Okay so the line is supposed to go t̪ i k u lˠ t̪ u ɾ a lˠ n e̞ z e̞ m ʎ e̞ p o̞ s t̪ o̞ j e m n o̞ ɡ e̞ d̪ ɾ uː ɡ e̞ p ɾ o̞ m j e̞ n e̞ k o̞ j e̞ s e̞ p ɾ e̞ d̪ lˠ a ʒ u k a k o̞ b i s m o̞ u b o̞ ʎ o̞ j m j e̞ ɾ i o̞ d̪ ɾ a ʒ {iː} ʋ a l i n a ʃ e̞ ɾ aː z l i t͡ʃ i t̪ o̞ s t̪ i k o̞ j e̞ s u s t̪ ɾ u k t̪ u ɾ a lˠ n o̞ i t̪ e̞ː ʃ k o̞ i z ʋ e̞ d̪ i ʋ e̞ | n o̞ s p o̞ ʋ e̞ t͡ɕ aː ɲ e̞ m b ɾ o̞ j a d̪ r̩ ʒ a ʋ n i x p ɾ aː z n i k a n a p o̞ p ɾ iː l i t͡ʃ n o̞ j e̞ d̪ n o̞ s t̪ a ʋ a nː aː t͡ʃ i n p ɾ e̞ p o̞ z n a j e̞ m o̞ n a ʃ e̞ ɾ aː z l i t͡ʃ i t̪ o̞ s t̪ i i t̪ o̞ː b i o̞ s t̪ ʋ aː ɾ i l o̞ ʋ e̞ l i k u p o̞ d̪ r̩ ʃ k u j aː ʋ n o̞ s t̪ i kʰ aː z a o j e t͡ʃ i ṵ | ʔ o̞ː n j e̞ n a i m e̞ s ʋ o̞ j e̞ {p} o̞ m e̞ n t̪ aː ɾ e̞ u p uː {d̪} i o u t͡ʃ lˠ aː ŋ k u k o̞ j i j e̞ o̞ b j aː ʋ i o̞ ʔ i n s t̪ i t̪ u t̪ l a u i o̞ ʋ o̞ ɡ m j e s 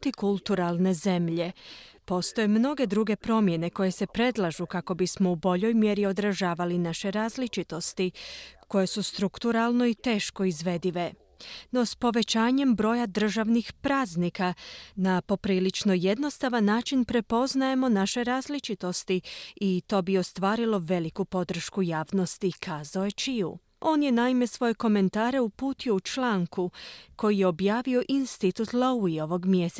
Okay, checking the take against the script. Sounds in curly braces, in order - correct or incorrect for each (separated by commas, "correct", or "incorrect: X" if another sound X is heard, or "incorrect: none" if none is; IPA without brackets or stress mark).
incorrect: aː, incorrect: k, incorrect: t̪